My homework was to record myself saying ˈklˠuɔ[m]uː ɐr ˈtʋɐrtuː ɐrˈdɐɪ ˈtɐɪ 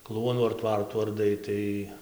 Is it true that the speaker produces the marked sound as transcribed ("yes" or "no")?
no